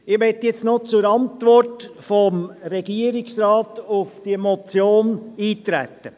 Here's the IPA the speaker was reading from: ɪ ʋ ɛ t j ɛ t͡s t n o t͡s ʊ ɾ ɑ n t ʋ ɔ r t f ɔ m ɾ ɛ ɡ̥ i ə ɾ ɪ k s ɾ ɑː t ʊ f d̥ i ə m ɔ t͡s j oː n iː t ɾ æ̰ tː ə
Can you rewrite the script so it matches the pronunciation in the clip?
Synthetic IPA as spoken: ɪ ʋ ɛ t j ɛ t͡s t n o t͡s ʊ ɾ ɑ n t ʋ ɔ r t f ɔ m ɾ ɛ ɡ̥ i ə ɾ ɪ k s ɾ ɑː t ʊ f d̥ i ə m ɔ t͡s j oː n iː t ɾ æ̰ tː ə